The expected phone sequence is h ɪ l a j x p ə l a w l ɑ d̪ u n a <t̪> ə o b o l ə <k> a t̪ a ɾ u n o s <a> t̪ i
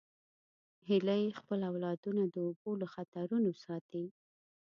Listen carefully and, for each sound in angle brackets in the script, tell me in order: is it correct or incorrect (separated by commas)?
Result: incorrect, incorrect, incorrect